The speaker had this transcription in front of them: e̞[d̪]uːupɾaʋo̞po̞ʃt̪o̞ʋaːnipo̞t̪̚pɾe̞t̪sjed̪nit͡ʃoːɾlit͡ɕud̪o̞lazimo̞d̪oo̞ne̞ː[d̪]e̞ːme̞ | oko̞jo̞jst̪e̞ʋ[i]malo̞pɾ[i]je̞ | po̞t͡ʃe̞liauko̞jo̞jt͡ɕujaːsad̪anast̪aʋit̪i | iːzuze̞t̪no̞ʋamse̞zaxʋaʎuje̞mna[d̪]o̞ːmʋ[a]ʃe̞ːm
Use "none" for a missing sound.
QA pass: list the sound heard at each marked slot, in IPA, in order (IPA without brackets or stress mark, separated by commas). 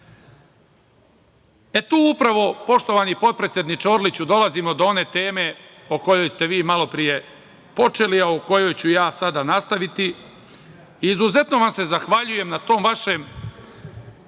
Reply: t̪, t̪, iː, i, t̪, a